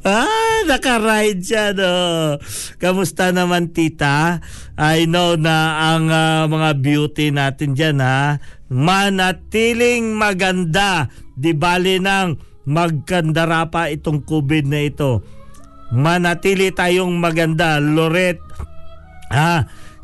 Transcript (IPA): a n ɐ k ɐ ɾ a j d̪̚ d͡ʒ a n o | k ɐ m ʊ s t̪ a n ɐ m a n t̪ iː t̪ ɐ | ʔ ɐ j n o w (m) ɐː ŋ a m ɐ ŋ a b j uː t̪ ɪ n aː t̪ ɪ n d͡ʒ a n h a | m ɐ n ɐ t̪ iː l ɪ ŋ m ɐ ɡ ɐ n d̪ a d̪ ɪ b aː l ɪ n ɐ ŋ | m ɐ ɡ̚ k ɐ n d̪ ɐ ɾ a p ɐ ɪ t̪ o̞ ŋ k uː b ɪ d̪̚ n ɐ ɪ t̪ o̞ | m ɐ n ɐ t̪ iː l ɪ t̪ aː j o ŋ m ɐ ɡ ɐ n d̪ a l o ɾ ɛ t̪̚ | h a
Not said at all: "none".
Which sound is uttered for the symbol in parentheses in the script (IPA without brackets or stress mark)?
n